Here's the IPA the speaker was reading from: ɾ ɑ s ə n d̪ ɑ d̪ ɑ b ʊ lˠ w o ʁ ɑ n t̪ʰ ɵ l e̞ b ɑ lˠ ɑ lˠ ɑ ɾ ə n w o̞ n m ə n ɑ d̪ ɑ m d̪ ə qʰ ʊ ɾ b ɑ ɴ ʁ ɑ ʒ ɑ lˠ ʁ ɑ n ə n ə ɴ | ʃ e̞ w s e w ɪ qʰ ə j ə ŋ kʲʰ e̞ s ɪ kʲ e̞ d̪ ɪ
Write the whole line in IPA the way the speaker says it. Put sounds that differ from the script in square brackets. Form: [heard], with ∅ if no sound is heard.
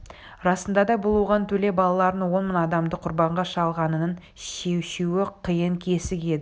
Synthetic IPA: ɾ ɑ s ə n d̪ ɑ d̪ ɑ b ʊ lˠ w o ʁ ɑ n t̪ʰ ɵ l e̞ b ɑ lˠ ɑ lˠ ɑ ɾ ə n w o̞ n m ə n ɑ d̪ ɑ m d̪ ə qʰ ʊ ɾ b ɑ ɴ ʁ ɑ [ʃ] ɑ lˠ ʁ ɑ n ə n ə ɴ | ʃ e̞ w [ʃ] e w ɪ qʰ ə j ə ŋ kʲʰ e̞ s ɪ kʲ e̞ d̪ ɪ